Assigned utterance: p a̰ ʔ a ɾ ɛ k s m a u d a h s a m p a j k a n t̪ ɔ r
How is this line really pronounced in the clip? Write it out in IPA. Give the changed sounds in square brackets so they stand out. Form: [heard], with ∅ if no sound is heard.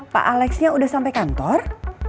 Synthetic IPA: p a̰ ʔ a [l] ɛ k s [ɲ] a u d a h s a m p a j k a n t̪ ɔ r